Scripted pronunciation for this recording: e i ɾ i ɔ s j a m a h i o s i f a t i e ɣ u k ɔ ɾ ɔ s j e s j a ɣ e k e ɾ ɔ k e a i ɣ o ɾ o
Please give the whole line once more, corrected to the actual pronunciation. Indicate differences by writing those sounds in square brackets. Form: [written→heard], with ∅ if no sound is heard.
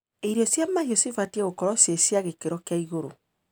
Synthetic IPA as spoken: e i ɾ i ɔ s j a m a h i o s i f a t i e ɣ [u→o] k ɔ ɾ ɔ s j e s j a ɣ e k e ɾ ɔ k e a i ɣ o ɾ o